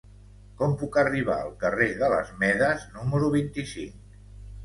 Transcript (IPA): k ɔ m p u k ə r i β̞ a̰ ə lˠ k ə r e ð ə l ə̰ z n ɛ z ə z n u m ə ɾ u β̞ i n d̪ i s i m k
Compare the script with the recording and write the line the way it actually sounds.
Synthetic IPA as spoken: k ɔ m p u k ə r i β̞ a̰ ə lˠ k ə r e ð ə l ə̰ z m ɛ ð ə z n u m ə ɾ u β̞ i n t̪ i s i ŋ k